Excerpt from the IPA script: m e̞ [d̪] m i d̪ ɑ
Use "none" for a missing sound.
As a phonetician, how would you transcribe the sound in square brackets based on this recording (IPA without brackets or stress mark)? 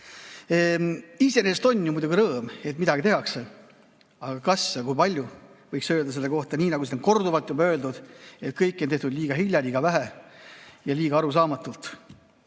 t̪